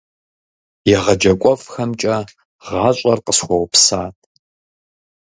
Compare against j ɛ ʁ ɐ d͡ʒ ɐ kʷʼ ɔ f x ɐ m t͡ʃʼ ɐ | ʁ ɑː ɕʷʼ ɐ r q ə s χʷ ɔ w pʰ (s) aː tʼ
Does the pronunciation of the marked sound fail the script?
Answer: no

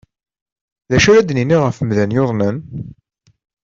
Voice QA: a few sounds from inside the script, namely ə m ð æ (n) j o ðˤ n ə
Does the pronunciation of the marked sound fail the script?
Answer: no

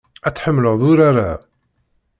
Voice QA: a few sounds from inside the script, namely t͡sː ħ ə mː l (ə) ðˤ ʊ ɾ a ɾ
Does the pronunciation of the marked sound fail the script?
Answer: no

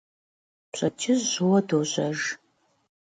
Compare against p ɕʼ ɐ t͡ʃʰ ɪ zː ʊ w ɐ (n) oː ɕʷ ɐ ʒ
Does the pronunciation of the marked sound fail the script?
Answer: yes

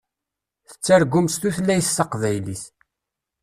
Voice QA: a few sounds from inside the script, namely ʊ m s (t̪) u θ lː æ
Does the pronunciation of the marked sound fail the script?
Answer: no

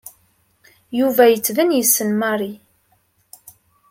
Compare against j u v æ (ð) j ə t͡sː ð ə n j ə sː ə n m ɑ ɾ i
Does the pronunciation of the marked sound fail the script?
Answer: yes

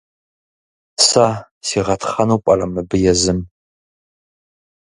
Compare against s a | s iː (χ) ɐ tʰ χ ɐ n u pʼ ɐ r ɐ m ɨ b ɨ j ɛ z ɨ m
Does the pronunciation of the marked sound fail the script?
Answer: yes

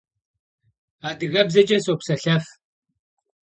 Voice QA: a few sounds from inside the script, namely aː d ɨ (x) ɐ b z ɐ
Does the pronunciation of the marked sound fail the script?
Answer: yes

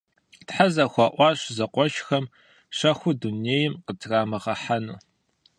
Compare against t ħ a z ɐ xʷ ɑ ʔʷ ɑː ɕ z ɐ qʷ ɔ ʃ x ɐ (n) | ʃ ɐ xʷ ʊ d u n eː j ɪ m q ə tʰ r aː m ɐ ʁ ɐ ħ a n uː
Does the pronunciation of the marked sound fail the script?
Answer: yes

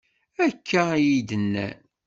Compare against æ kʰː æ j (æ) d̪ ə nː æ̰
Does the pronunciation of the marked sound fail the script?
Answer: yes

